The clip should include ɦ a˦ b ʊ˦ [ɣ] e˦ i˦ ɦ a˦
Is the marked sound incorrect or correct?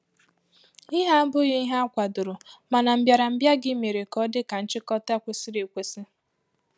correct